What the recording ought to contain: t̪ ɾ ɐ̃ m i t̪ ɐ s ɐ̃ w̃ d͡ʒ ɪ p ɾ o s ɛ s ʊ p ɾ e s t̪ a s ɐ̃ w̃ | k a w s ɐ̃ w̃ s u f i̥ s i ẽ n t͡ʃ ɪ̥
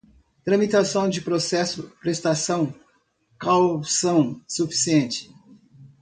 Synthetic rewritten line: t̪ ɾ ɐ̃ m i t̪ a s ɐ̃ w̃ d͡ʒ ɪ p ɾ o s ɛ s ʊ p ɾ e s t̪ a s ɐ̃ w̃ | k a w s ɐ̃ w̃ s u f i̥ s i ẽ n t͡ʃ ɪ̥